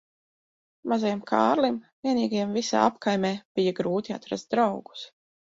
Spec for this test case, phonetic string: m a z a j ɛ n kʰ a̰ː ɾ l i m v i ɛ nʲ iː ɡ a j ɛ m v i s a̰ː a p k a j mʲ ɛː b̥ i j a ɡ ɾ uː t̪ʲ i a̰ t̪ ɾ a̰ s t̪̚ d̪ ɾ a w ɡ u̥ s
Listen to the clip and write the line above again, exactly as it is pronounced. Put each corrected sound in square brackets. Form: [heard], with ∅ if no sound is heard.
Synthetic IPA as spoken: m a z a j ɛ [m] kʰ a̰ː ɾ l i m v i ɛ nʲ iː ɡ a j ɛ m v i s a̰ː a p k a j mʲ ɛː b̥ i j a ɡ ɾ uː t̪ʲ i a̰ t̪ ɾ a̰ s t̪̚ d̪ ɾ a w ɡ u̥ s